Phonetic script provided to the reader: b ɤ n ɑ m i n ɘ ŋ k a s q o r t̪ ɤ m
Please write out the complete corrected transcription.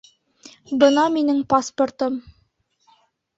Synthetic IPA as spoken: b ɤ n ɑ m i n ɘ ŋ p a s p o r t̪ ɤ m